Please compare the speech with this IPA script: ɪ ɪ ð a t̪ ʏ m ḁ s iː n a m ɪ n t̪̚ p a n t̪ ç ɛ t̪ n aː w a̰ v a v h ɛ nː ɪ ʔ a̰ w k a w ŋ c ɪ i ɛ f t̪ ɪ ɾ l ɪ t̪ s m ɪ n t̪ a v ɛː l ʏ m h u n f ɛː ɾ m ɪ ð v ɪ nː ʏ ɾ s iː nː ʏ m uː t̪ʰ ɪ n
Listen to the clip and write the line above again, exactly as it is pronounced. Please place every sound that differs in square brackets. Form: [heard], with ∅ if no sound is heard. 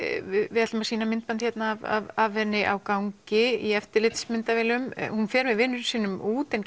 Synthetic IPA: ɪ ɪ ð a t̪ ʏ m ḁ s iː n a m ɪ n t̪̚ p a n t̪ ç ɛ t̪ n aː [v] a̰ v a v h ɛ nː ɪ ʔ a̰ w k a w ŋ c ɪ i ɛ f t̪ ɪ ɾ l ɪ t̪ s m ɪ n t̪ a v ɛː l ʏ m h u n f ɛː ɾ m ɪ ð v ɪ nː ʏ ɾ s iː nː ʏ m uː [t̪] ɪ n